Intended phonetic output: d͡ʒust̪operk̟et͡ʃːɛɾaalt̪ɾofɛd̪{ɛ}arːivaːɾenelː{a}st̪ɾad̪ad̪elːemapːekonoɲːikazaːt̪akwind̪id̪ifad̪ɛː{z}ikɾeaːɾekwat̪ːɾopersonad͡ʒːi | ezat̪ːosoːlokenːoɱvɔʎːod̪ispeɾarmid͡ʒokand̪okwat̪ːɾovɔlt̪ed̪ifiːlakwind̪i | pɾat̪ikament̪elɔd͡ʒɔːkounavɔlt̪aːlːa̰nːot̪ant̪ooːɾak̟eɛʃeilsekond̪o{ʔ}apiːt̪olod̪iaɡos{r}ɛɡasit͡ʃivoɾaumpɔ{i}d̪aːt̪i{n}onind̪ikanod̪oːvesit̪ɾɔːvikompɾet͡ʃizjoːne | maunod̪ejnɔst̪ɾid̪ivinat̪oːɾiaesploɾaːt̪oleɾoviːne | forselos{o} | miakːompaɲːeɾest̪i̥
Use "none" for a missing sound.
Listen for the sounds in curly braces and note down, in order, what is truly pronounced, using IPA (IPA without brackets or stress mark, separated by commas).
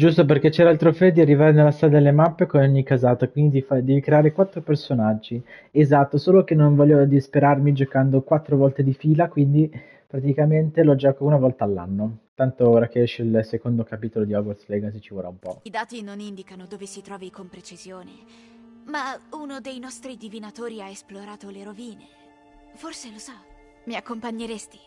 i, a, v, k, l, i, n, ɔ